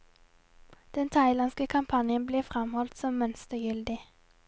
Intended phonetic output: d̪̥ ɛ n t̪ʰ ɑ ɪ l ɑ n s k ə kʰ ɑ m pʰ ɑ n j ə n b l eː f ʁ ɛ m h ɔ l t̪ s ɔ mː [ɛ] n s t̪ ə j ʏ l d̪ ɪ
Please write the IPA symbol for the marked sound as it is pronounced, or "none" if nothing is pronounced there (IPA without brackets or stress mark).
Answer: œ